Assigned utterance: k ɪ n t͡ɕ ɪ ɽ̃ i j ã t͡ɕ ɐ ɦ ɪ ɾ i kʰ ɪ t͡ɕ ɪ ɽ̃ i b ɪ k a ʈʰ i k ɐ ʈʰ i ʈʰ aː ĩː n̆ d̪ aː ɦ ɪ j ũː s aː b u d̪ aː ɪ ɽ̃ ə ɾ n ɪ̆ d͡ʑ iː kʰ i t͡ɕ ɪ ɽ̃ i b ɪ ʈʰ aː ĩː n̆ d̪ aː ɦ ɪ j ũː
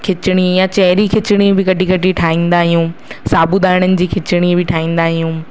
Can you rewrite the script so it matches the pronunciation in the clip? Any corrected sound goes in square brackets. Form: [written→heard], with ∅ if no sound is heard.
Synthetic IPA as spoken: [k→kʰ] ɪ [n→∅] t͡ɕ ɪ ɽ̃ i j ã t͡ɕ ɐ ɦ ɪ ɾ i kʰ ɪ t͡ɕ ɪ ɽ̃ i b ɪ k [a→ɐ] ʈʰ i k ɐ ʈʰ i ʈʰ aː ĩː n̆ d̪ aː ɦ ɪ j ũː s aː b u d̪ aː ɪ ɽ̃ ə [ɾ→∅] n ɪ̆ d͡ʑ iː kʰ [i→ɪ] t͡ɕ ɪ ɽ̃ i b ɪ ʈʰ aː ĩː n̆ d̪ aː ɦ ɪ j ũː